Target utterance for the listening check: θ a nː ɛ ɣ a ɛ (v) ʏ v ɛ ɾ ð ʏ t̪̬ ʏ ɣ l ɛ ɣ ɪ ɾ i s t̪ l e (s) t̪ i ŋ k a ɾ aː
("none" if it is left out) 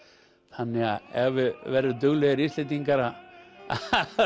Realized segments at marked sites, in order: v, none

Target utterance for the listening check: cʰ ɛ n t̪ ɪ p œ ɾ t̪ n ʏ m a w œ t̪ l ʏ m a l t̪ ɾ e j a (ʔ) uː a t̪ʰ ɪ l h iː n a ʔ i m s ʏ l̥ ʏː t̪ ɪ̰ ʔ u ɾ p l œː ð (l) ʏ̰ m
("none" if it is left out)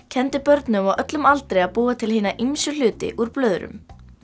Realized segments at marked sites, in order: p, ɾ

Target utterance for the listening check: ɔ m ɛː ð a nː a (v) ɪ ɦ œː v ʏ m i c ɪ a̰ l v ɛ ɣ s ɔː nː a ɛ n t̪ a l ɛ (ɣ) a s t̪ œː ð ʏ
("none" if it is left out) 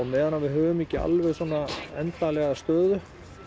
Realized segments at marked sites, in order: v, ɣ

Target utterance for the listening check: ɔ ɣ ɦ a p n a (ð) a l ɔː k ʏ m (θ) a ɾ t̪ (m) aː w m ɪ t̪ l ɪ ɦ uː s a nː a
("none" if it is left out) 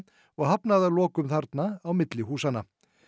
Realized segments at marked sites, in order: ð, θ, n

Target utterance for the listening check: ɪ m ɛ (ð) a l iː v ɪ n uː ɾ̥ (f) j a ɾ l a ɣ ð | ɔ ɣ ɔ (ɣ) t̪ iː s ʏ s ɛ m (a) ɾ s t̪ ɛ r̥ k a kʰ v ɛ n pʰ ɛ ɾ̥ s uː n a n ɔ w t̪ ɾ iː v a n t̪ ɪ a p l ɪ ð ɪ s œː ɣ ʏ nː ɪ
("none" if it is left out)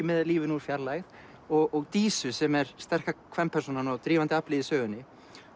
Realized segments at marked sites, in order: ð, f, ɣ, ɛ

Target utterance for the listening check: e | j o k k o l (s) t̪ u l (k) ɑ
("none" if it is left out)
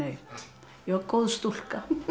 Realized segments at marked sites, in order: s, k

